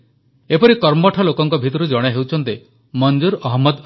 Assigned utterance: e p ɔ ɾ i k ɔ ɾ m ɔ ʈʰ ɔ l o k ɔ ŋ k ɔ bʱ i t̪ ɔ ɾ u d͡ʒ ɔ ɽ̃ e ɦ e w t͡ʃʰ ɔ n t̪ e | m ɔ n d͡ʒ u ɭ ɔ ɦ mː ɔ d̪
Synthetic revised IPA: e p ɔ ɾ i k ɔ ɾ m ɔ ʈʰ ɔ l o k ɔ ŋ k ɔ bʱ i t̪ ɔ ɾ u d͡ʒ ɔ ɽ̃ e ɦ e w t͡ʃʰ ɔ n t̪ e | m ɔ n d͡ʒ u ɾ ɔ ɦ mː ɔ d̪